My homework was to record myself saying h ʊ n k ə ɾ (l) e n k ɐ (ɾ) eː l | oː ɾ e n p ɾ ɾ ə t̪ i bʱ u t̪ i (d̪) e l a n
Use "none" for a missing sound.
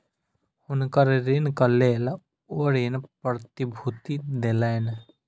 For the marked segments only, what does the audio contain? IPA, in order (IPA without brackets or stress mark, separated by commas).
ɾ, l, d̪